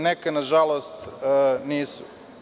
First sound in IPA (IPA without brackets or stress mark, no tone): n